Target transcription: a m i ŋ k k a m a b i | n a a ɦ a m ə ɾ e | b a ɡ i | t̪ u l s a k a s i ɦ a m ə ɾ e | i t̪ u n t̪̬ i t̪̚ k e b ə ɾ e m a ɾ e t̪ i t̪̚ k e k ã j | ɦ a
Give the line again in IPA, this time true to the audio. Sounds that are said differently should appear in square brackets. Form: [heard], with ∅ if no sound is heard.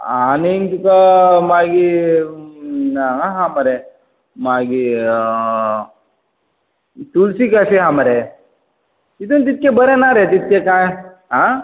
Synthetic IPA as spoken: a [n] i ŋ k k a m a [ɡ] i | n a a ɦ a m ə ɾ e | [m] a ɡ i | t̪ u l s [i] k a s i ɦ a m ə ɾ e | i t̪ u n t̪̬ i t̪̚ k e b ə ɾ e [n] a ɾ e t̪ i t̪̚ k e k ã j | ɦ a